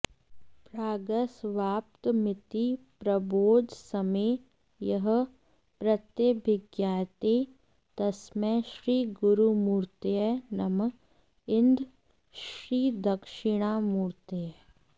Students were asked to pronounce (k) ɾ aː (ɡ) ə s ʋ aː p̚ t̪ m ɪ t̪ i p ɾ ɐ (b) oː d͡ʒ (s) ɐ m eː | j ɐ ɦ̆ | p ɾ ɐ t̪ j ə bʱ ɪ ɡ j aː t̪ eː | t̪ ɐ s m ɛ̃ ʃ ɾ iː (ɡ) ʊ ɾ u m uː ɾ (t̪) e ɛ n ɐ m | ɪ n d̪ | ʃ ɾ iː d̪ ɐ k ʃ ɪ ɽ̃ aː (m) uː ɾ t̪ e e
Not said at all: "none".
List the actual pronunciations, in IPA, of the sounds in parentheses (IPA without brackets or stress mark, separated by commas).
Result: p, ɡ, b, s, ɡ, t̪, m